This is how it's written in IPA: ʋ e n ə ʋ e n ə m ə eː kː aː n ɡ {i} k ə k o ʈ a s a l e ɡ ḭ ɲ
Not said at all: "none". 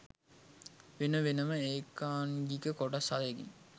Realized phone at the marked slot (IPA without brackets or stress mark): i